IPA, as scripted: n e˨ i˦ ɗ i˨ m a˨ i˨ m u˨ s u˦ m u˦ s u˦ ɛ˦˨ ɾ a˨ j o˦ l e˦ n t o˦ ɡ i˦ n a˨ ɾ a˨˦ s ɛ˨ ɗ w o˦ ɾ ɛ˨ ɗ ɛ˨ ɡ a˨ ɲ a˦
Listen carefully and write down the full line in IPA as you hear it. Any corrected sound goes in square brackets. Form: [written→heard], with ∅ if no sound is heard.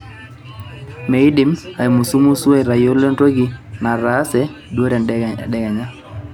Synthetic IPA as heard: [n→m] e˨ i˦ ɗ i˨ m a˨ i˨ m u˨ s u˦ m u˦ s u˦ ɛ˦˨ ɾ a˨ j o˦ l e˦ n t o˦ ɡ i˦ n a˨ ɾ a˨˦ s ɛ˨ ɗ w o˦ ɾ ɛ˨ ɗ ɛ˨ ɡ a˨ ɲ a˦